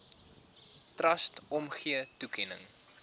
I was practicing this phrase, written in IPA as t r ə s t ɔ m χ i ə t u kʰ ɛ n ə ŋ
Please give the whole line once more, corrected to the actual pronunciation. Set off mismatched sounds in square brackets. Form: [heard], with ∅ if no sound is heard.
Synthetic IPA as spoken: t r [ɐ] s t ɔ m χ i ə t u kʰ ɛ n ə ŋ